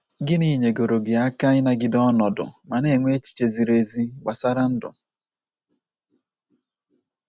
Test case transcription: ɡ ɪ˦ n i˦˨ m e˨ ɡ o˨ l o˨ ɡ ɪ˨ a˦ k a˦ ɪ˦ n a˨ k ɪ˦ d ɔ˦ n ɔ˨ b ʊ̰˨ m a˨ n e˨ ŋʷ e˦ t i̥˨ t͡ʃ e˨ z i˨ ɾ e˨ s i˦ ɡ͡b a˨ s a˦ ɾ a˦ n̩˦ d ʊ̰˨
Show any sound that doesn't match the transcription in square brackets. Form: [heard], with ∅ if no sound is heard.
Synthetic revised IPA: ɡ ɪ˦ n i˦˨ [ɲ] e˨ ɡ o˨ [ɾ] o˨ ɡ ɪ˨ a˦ k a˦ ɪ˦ n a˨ [ɡ] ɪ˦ d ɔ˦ n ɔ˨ [d] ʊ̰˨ m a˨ n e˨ ŋʷ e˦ [t͡ʃ] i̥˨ t͡ʃ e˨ z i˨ ɾ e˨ [z] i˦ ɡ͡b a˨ s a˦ ɾ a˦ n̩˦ d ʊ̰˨

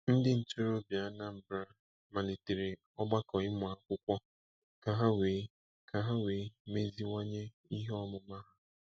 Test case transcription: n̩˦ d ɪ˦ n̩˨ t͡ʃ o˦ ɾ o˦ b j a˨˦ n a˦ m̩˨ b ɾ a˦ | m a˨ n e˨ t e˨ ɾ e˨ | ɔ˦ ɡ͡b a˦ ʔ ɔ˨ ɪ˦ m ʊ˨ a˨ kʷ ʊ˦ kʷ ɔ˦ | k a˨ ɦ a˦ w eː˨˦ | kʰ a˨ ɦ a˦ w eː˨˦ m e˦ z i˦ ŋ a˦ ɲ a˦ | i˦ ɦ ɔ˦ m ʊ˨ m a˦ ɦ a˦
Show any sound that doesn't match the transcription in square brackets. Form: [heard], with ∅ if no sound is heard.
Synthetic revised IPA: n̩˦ d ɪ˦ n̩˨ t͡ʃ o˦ ɾ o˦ b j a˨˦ n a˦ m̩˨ b ɾ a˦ | m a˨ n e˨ t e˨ ɾ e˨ | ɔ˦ ɡ͡b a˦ [k] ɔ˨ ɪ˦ m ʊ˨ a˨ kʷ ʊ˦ kʷ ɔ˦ | k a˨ ɦ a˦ w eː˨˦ | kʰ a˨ ɦ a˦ w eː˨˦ m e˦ z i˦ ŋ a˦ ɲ [e˦] | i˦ ɦ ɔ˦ m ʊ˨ m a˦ ɦ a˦

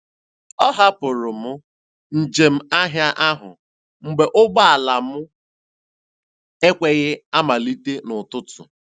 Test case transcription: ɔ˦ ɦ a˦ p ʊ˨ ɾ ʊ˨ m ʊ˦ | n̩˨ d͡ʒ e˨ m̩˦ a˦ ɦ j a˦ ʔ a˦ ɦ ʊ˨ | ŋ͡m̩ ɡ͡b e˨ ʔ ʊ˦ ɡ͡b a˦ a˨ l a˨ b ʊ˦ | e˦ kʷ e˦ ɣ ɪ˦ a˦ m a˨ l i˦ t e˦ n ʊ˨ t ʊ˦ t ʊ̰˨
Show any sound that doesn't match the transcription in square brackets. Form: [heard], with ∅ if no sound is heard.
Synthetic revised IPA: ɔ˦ ɦ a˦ p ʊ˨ ɾ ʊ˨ m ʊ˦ | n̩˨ d͡ʒ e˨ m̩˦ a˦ ɦ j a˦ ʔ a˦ ɦ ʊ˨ | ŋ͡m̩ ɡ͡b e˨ ʔ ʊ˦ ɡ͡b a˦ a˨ l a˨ [m] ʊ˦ | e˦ kʷ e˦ ɣ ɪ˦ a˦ m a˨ l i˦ t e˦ n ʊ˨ t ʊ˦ t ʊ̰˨

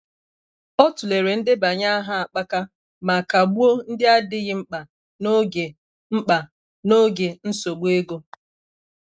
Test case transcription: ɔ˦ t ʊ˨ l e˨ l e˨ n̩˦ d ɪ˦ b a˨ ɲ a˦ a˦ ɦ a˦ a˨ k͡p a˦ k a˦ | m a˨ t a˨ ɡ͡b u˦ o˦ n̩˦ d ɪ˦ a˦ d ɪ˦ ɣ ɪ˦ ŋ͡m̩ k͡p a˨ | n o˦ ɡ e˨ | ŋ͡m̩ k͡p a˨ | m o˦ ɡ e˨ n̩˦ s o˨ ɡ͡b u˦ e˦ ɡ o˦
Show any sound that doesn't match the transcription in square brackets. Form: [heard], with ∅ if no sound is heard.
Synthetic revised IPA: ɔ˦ t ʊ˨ l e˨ [ɾ] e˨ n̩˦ d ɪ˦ b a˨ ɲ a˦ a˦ ɦ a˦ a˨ k͡p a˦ k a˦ | m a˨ [k] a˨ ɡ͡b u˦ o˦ n̩˦ d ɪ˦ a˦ d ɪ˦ ɣ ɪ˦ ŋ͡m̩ k͡p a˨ | n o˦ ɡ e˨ | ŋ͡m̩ k͡p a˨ | [n] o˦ ɡ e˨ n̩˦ s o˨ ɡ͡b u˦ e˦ ɡ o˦

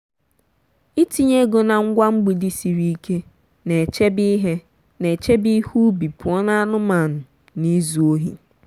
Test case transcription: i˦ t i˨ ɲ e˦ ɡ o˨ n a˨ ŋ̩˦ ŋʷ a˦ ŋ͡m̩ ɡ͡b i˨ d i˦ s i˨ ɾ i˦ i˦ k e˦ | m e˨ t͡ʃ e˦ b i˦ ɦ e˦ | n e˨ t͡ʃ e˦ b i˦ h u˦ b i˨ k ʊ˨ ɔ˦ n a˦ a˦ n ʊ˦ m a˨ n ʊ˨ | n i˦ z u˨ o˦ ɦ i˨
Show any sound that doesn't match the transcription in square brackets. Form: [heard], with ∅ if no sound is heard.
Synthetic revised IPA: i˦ t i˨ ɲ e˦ ɡ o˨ n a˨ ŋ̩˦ [ɡʷ] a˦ ŋ͡m̩ ɡ͡b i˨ d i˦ s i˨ ɾ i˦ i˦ k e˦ | [n] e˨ t͡ʃ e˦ b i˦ ɦ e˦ | n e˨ t͡ʃ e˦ b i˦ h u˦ b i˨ [p] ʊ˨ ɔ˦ n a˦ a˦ n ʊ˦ m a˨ n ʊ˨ | n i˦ z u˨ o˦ ɦ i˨

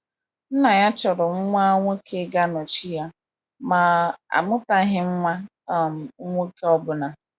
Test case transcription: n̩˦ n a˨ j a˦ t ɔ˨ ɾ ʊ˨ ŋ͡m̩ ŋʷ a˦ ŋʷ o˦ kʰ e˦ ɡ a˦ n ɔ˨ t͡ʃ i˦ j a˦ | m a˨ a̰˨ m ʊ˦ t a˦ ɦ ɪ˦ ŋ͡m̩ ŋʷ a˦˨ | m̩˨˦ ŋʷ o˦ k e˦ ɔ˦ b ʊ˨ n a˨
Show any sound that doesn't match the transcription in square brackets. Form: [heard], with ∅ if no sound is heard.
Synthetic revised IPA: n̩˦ n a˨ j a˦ [t͡ʃ] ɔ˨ ɾ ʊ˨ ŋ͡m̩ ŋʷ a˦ ŋʷ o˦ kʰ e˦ ɡ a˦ n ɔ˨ t͡ʃ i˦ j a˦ | m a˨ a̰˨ m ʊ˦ t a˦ ɦ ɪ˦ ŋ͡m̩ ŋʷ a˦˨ | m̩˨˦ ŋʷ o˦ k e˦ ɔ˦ b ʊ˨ n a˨

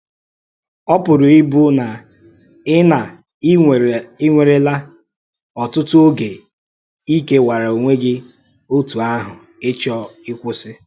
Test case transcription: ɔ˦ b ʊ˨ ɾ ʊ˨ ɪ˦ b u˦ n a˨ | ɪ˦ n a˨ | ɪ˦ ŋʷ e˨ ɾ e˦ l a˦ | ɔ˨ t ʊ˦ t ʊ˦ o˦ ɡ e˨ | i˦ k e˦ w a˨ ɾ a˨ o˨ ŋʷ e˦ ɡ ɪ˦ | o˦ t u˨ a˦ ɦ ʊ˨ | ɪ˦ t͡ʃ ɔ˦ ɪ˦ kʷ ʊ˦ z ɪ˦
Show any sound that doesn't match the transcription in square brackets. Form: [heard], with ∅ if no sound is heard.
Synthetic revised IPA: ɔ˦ [p] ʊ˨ ɾ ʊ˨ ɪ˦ b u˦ n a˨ | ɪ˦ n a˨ | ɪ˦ ŋʷ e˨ ɾ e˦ l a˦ | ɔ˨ t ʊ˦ t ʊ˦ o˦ ɡ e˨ | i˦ k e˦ w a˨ ɾ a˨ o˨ ŋʷ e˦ ɡ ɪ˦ | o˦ t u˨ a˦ ɦ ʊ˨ | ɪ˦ t͡ʃ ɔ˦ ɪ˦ kʷ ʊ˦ [s] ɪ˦

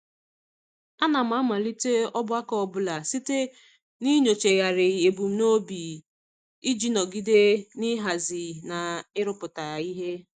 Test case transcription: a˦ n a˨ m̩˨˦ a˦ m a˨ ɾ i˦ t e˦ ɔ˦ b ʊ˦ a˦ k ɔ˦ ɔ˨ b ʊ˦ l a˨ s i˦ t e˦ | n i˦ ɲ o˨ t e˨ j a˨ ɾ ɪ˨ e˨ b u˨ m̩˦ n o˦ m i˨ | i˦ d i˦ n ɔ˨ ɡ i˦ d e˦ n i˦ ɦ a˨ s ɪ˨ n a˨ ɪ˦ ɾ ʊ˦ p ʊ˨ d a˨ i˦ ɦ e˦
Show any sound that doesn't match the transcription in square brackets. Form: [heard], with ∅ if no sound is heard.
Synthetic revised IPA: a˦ n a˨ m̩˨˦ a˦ m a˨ [l] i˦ t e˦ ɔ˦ b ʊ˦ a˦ k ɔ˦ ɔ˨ b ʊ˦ l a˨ s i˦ t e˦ | n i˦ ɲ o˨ [t͡ʃ] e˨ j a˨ ɾ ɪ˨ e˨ b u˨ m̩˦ n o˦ [b] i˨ | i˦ [d͡ʒ] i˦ n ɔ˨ ɡ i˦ d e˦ n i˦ ɦ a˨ [z] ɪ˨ n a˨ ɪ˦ ɾ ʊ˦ p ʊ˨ [t] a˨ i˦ ɦ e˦

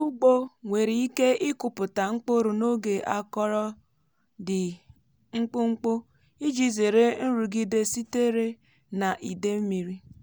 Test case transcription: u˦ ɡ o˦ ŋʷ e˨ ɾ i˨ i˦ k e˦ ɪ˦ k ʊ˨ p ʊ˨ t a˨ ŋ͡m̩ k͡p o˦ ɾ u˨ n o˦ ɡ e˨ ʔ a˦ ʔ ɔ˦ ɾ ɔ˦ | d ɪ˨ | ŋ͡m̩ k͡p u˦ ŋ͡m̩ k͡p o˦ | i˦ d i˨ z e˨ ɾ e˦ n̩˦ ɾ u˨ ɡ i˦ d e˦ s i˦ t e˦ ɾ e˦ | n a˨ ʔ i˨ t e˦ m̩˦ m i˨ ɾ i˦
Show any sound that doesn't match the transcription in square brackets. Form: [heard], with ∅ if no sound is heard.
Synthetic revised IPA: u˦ [ɡ͡b] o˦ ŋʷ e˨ ɾ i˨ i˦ k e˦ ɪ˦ k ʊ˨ p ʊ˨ t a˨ ŋ͡m̩ k͡p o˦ ɾ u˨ n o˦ ɡ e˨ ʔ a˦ [k] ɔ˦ ɾ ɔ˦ | d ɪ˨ | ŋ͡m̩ k͡p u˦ ŋ͡m̩ k͡p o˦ | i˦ [d͡ʒ] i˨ z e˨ ɾ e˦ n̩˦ ɾ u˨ ɡ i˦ d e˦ s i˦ t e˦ ɾ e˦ | n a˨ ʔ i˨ [d] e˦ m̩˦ m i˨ ɾ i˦

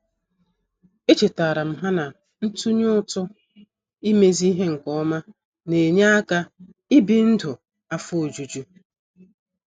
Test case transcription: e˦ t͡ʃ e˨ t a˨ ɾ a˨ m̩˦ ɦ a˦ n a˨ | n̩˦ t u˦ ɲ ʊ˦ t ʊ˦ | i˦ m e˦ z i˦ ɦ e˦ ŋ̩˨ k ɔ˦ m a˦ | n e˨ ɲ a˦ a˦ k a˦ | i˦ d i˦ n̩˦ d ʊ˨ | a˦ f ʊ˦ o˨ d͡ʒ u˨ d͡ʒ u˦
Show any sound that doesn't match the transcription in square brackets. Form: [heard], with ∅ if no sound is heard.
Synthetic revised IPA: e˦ t͡ʃ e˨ t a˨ ɾ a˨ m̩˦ ɦ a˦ n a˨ | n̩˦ t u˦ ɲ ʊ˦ t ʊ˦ | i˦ m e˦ z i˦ ɦ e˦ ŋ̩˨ k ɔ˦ m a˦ | n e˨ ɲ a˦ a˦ k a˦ | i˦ [b] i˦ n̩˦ d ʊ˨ | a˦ f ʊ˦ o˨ d͡ʒ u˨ d͡ʒ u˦

